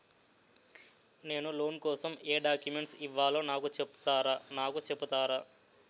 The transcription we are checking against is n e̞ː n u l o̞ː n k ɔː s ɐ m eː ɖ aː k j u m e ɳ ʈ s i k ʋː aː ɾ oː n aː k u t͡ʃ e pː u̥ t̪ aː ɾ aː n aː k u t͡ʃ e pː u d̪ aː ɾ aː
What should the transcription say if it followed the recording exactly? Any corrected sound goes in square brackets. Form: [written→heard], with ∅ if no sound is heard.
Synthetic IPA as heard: n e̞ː n u l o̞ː n k ɔː s ɐ m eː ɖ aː k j u m e ɳ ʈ s i [k→∅] ʋː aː [ɾ→l] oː n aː k u t͡ʃ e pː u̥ t̪ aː ɾ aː n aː k u t͡ʃ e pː u [d̪→t̪] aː ɾ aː